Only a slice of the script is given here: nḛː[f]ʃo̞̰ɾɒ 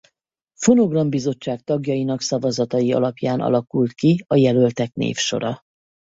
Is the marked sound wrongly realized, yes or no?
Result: no